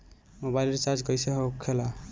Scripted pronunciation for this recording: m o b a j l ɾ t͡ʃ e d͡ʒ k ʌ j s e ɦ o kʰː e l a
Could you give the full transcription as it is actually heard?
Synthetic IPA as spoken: m o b a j l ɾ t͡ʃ a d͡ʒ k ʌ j s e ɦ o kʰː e l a